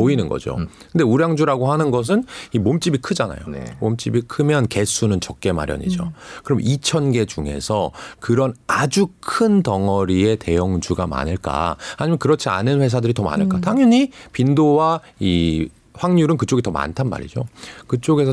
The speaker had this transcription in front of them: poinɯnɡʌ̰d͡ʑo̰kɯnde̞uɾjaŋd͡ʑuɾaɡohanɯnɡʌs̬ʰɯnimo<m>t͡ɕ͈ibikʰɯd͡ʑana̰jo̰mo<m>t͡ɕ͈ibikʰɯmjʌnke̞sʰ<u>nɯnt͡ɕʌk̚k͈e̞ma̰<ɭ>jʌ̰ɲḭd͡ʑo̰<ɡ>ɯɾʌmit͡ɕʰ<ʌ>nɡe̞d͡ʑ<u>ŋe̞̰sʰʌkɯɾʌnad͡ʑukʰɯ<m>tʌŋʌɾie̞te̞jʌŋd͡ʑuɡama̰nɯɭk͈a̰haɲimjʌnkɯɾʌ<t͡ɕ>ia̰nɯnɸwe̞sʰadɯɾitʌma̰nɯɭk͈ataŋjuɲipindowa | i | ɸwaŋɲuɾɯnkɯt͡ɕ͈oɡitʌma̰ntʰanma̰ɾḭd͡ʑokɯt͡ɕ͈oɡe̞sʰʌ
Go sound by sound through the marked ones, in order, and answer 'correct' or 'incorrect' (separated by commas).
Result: correct, correct, correct, incorrect, incorrect, correct, correct, incorrect, incorrect